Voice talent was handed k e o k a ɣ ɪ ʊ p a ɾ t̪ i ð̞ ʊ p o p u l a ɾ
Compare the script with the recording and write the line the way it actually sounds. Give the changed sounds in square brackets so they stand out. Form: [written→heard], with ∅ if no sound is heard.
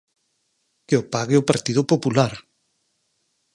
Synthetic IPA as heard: k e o [k→p] a ɣ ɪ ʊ p a ɾ t̪ i ð̞ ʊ p o p u l a ɾ